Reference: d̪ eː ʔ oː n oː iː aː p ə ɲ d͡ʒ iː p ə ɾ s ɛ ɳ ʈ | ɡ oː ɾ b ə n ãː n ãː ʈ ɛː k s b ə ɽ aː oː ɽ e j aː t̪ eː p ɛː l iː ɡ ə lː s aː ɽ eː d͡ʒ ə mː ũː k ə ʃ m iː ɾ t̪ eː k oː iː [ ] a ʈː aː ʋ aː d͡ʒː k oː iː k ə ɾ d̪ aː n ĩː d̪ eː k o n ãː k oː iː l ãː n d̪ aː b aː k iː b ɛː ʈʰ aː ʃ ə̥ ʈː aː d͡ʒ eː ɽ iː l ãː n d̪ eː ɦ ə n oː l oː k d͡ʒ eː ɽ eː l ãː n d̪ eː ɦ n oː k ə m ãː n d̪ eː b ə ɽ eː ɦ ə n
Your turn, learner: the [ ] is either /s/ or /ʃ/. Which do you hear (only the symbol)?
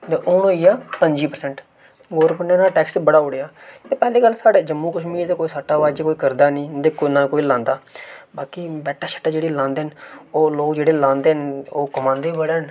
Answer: s